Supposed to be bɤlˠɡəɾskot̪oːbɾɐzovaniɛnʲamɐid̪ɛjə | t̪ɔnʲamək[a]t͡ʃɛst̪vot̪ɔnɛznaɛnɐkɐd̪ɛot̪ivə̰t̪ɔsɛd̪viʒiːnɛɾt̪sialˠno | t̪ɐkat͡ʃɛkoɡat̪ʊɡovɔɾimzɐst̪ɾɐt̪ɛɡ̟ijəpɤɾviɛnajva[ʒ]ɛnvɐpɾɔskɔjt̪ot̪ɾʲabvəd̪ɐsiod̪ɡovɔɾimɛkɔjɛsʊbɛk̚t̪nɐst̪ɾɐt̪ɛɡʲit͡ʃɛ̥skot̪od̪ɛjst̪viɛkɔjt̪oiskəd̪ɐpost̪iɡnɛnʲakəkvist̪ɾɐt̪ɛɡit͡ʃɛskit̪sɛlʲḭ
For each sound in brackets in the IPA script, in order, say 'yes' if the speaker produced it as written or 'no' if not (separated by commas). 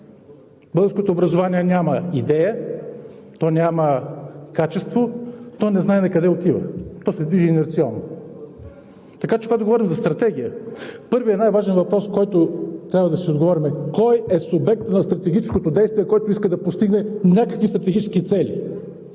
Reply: yes, yes